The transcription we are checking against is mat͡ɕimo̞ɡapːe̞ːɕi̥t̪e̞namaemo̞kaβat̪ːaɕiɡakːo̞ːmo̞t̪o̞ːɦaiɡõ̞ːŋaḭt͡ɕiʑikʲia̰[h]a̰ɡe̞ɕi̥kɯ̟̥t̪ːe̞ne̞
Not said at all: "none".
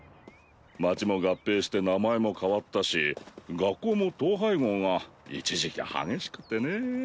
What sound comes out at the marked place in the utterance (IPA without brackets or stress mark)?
h